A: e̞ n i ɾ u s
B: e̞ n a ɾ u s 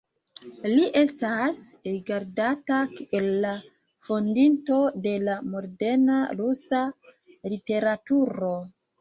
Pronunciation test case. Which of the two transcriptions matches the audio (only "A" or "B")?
B